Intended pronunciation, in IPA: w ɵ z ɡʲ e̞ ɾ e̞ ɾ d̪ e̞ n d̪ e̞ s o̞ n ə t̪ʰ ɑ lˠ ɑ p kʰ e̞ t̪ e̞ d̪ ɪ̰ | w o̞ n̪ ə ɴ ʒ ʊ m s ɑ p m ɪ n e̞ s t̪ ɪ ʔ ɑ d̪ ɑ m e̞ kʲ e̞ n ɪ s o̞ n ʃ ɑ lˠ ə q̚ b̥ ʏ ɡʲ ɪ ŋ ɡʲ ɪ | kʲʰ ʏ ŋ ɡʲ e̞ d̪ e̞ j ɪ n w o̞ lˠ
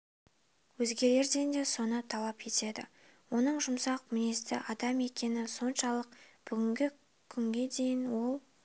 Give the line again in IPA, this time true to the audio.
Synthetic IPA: w ɵ z ɡʲ e̞ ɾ e̞ ɾ d̪ e̞ n d̪ e̞ s o̞ n ə t̪ʰ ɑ lˠ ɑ p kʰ e̞ t̪ e̞ d̪ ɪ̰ | w o̞ n̪ ə ɴ ʒ ʊ m s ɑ q m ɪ n e̞ s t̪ ɪ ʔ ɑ d̪ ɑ m e̞ kʲ e̞ n ɪ s o̞ n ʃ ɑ lˠ ə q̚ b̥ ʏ ɡʲ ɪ ŋ ɡʲ ɪ | kʲʰ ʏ ŋ ɡʲ e̞ d̪ e̞ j ɪ n w o̞ lˠ

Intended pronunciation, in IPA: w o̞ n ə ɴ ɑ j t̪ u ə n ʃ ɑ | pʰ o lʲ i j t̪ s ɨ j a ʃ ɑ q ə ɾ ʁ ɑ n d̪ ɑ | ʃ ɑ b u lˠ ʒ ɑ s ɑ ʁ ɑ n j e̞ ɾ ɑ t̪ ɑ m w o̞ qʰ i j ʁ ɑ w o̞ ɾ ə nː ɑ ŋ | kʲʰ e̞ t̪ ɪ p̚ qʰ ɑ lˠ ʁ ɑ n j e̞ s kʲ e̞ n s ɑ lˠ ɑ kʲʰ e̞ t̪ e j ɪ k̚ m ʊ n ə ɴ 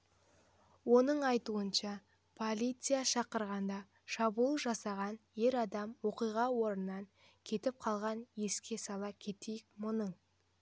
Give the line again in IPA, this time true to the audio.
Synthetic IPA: w o̞ n ə ɴ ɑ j t̪ u ə n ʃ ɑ | pʰ o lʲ i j t̪ s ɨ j a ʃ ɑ q ə ɾ ʁ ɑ n d̪ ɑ | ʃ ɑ b u lˠ ʒ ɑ s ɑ ʁ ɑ n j e̞ ɾ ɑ d̪ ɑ m w o̞ q i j ʁ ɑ w o̞ ɾ ə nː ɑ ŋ | kʲʰ e̞ t̪ ɪ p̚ qʰ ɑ lˠ ʁ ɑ n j e̞ s kʲ e̞ s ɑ lˠ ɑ kʲʰ e̞ t̪ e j ɪ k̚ m ʊ n ə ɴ

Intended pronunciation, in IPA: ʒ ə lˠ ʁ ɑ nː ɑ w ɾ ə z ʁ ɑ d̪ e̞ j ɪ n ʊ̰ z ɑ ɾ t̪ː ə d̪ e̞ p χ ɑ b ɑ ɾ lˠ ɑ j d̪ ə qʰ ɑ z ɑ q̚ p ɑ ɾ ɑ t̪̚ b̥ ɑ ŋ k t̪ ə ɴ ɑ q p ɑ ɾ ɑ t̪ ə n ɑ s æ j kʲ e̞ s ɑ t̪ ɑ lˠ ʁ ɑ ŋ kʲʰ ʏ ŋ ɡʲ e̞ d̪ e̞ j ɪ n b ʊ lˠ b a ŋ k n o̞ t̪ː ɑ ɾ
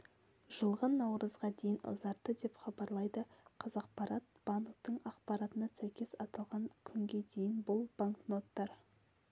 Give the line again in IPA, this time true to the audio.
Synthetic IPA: ʒ ə lˠ ʁ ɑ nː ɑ w ɾ ə z ʁ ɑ d̪ e̞ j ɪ n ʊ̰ z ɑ ɾ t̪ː ə d̪ e̞ p χ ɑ b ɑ ɾ lˠ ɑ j d̪ ə qʰ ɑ z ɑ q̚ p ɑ ɾ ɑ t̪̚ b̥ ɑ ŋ k t̪ ə ɴ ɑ q p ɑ ɾ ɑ t̪ ə n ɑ s æ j kʲ e̞ s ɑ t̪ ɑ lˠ ʁ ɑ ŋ kʲʰ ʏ ŋ ɡʲ e̞ d̪ e̞ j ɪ n b ʊ lˠ b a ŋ k n o̞ t̪ː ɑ ɾ

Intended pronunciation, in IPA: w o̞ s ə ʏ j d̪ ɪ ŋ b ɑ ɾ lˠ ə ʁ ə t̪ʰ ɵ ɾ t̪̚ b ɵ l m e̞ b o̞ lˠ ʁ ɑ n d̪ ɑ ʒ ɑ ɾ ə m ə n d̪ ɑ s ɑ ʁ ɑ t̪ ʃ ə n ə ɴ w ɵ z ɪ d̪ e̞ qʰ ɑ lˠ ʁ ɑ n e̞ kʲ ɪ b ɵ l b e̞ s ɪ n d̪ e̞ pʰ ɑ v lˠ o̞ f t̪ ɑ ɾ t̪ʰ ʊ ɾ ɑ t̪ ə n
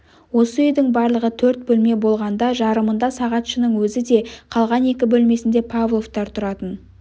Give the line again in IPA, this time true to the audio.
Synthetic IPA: w o̞ s ə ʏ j d̪ ɪ ŋ b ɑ ɾ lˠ ə ʁ ə t̪ʰ ɵ ɾ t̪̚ b ɵ l m e̞ b o̞ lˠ ʁ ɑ n d̪ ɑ ʒ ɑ ɾ ə m ə n d̪ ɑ s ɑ ʁ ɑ t̪ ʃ ə n ə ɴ w ɵ z ɪ d̪ e̞ qʰ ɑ lˠ ʁ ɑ n e̞ kʲ ɪ b ɵ l m e̞ s ɪ n d̪ e̞ pʰ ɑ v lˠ o̞ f t̪ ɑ ɾ t̪ʰ ʊ ɾ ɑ t̪ ə n

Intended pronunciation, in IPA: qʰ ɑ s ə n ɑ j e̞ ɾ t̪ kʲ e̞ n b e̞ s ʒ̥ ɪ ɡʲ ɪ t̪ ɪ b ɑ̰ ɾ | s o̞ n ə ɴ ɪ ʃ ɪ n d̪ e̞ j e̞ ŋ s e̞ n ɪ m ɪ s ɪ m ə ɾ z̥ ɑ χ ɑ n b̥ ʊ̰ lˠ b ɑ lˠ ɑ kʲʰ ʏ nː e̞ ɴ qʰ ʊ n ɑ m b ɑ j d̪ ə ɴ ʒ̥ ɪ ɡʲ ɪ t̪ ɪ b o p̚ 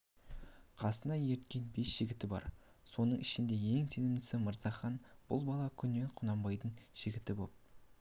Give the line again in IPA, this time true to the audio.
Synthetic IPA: qʰ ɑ s ə n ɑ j e̞ ɾ t̪ kʲ e̞ n b e̞ s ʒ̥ ɪ ɡʲ ɪ t̪ ɪ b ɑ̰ ɾ | s o̞ n ə ɴ ɪ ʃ ɪ n d̪ e̞ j e̞ ŋ s e̞ n ɪ m ɪ s ɪ m ə ɾ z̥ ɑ χ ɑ n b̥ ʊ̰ lˠ b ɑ lˠ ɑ kʲʰ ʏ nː e̞ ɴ qʰ ʊ n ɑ m b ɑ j d̪ ə ɴ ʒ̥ ɪ ɡʲ ɪ t̪ ɪ b o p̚

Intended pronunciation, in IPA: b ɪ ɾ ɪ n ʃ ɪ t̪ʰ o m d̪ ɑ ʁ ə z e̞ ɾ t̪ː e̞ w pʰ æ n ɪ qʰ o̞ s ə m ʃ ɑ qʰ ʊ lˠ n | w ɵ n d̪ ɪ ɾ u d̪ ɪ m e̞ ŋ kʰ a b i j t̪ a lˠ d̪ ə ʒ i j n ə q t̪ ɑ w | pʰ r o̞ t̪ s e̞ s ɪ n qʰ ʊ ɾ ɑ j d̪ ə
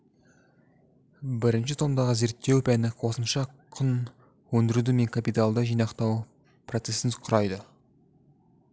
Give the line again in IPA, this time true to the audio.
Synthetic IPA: b ɪ ɾ ɪ n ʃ ɪ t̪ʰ o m d̪ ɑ ʁ ə z e̞ ɾ t̪ː e̞ w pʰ æ n ɪ qʰ o̞ s ə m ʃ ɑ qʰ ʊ n | w ɵ n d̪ ɪ ɾ u d̪ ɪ m e̞ ŋ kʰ a p i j t̪ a lˠ d̪ ə ʒ i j n ɑ q t̪ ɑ w | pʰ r o̞ t̪ s e̞ s ɪ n qʰ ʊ ɾ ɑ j d̪ ə

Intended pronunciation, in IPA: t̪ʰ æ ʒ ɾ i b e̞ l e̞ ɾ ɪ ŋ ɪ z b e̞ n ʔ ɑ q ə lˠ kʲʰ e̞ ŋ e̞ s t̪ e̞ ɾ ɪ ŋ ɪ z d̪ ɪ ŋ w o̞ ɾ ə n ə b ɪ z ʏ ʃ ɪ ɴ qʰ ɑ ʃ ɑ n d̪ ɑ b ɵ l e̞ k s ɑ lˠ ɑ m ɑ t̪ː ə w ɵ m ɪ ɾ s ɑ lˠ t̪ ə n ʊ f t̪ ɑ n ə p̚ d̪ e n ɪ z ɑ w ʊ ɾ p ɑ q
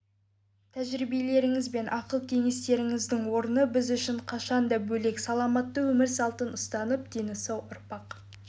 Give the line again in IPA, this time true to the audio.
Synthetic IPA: t̪ʰ æ ʒ ɾ i b e̞ l e̞ ɾ ɪ ŋ ɪ z b e̞ n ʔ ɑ q ə lˠ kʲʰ e̞ ŋ e̞ s t̪ e̞ ɾ ɪ ŋ ɪ z d̪ ɪ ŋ w o̞ ɾ ə n ə b ɪ z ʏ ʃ ɪ ɴ qʰ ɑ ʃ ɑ n d̪ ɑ b ɵ l e̞ k s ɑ lˠ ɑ m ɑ t̪ː ə w ɵ m ɪ ɾ s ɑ lˠ t̪ ə n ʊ s t̪ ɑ n ə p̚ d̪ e n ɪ s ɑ w ʊ ɾ p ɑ q

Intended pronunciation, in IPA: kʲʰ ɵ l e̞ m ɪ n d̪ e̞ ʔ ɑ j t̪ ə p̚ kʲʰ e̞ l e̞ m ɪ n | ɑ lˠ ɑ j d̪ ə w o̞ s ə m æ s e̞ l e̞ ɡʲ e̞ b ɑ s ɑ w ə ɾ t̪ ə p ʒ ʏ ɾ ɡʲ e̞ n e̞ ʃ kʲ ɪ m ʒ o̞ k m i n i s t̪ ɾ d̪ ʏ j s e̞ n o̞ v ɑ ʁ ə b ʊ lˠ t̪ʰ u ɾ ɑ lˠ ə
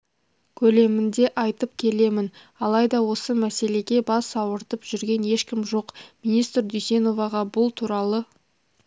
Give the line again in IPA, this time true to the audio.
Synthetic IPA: kʲʰ ɵ l e̞ m ɪ n d̪ e̞ ʔ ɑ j t̪ ə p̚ kʲʰ e̞ l e̞ m ɪ n | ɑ lˠ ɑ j d̪ ɑ w o̞ s ə m æ s e̞ l e̞ ɡʲ e̞ b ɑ s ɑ w ə ɾ t̪ ə p ʒ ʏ ɾ ɡʲ e̞ n e̞ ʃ kʲ ɪ m ʒ o̞ q m i n i s t̪ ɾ d̪ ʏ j s e̞ n o̞ v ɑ ʁ ɑ b ʊ lˠ t̪ʰ u ɾ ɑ lˠ ə

